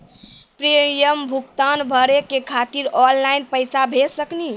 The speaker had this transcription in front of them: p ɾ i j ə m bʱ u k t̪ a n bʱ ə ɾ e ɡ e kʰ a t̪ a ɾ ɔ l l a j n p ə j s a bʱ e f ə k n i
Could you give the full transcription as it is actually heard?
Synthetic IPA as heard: p ɾ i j ə m bʱ u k t̪ a n bʱ ə ɾ e k e kʰ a t̪ i ɾ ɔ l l a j n p ə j s a bʱ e s ə k n i